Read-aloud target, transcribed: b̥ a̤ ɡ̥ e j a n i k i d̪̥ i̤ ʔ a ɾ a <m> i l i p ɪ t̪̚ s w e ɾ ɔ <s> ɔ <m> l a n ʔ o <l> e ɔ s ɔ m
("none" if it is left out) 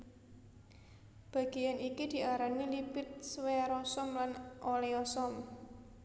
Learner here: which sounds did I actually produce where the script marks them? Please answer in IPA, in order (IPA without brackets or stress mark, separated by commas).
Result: n, s, m, l